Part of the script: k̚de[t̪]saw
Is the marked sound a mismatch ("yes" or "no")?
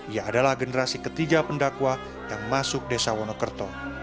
yes